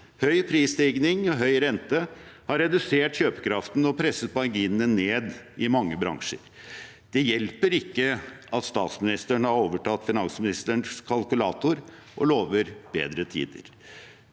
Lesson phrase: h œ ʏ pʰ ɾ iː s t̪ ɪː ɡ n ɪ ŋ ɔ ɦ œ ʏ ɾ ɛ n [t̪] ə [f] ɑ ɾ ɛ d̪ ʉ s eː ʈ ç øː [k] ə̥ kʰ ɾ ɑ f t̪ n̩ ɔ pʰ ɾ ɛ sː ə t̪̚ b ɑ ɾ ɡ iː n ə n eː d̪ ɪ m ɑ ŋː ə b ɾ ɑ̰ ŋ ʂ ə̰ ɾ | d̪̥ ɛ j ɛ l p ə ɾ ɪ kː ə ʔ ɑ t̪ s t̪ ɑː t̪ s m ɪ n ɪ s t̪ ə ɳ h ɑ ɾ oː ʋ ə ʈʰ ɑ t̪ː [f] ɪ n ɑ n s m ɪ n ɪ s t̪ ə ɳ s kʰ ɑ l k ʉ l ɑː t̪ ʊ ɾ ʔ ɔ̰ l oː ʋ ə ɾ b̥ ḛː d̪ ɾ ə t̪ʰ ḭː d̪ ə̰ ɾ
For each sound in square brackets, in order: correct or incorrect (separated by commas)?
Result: correct, incorrect, incorrect, correct